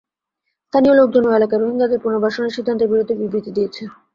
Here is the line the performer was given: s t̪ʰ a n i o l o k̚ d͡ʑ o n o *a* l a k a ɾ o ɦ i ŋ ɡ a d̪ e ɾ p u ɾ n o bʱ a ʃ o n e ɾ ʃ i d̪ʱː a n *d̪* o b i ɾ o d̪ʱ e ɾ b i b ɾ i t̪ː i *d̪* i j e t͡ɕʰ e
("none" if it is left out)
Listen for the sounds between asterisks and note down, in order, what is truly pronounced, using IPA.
e, t̪, d̪

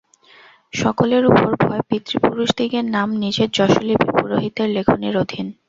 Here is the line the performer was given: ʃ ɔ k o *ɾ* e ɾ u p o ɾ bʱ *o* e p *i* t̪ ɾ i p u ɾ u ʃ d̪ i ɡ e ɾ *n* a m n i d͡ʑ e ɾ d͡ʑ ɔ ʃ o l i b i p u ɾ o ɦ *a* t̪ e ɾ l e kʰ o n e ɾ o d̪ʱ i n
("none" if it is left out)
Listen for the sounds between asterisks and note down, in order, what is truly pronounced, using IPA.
l, ɔ, i, n, i

